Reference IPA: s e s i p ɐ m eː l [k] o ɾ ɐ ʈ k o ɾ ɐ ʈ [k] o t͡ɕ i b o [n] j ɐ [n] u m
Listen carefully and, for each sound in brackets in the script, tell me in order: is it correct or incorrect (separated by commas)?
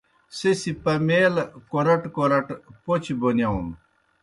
correct, incorrect, correct, incorrect